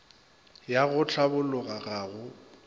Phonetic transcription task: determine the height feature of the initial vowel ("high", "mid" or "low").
low